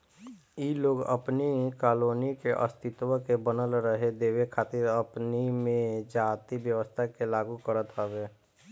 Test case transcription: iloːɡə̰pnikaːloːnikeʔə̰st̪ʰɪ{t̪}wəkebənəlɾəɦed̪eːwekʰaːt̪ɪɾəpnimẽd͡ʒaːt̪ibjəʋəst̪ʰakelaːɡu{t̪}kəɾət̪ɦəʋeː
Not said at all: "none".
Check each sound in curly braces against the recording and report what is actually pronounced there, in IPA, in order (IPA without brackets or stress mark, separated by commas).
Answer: t̪, none